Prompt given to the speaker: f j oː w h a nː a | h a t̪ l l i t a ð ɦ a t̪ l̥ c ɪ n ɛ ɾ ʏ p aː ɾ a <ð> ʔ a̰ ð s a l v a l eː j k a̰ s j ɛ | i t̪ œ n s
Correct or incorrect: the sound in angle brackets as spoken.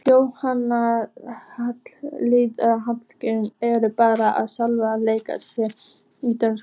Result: incorrect: none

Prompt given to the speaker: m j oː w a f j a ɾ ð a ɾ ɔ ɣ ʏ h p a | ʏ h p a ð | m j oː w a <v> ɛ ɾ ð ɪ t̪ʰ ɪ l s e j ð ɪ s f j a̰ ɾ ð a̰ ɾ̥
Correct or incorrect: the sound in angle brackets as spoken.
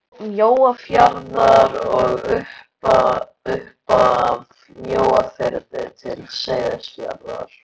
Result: incorrect: f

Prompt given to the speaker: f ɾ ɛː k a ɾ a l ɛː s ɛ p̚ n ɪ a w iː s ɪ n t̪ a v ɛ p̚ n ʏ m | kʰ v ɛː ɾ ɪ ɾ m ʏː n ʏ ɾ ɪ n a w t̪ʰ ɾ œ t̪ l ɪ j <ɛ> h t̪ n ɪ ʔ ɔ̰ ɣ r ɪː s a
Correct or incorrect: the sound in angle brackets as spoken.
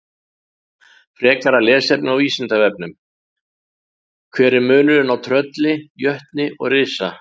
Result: incorrect: œ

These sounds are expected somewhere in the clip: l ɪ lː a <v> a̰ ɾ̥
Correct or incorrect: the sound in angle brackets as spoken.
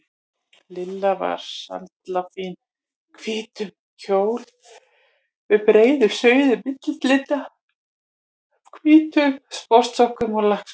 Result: correct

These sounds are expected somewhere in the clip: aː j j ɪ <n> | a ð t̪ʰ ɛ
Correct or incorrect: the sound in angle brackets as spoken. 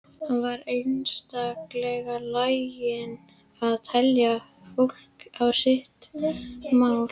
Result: correct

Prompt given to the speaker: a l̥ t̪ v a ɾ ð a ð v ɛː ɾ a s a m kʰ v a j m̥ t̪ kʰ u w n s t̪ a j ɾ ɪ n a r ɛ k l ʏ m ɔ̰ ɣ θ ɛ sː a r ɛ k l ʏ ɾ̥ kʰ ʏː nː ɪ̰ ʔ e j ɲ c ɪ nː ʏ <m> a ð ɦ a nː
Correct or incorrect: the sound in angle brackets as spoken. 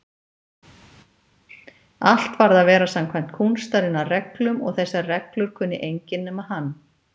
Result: correct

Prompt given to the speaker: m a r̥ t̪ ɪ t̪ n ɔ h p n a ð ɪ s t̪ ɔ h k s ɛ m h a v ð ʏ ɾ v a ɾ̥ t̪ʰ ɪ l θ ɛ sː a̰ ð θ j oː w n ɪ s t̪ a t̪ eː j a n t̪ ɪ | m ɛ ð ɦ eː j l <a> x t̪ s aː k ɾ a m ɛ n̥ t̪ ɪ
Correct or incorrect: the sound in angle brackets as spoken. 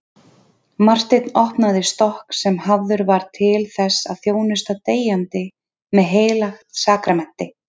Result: correct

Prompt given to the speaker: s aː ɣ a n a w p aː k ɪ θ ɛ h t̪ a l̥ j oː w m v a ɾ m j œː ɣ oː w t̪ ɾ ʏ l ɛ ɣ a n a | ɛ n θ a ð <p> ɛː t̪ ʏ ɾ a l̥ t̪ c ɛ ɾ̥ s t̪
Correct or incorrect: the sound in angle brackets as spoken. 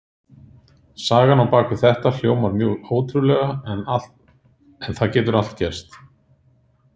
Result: incorrect: c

